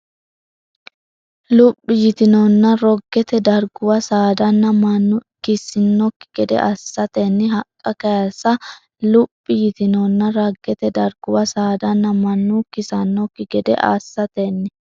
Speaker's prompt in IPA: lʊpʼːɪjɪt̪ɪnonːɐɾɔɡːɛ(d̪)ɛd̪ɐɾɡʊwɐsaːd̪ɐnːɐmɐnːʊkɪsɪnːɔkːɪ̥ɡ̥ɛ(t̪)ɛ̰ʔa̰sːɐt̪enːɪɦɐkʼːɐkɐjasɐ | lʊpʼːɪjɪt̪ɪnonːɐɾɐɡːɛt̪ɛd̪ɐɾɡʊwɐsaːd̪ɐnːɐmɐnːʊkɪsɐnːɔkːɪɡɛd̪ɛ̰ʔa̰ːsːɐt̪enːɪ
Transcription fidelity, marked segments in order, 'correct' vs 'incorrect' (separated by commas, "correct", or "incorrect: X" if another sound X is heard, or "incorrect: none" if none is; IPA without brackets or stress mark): incorrect: t̪, incorrect: d̪